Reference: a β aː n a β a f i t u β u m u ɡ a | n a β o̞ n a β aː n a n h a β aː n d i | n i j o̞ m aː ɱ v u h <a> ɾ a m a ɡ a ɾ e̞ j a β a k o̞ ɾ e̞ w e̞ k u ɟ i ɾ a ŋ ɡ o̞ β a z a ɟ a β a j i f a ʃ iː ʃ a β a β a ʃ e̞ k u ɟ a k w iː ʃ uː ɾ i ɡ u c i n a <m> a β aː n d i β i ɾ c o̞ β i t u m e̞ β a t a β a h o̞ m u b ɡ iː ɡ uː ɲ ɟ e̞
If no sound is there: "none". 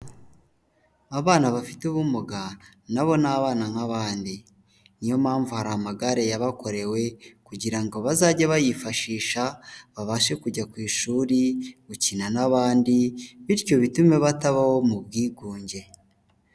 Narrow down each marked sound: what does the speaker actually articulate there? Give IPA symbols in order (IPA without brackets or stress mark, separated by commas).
a, n